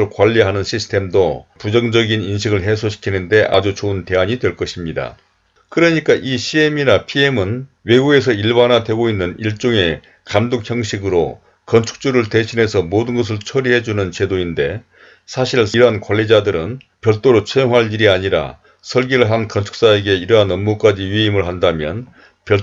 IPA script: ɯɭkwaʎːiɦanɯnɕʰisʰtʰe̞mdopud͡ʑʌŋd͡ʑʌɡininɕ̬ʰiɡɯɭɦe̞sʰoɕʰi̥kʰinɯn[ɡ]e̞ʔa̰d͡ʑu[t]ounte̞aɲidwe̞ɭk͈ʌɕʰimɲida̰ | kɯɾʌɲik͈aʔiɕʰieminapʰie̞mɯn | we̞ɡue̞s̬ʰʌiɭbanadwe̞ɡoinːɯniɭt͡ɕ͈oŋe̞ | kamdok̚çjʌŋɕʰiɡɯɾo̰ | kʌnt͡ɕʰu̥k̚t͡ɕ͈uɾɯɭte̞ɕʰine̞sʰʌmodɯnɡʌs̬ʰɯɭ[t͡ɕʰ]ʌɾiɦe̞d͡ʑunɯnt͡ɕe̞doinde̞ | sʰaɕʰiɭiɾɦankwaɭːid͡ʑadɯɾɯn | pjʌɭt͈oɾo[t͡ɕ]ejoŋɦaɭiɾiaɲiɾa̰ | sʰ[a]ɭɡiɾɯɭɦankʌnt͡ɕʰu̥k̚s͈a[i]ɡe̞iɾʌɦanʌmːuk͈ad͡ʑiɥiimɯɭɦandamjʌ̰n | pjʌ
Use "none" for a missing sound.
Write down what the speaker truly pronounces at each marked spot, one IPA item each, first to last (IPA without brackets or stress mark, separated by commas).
d, t͡ɕ, t͡ɕʰ, t͡ɕʰ, ʌ, e